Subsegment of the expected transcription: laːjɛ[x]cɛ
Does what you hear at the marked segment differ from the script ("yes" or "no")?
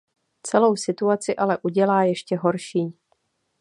yes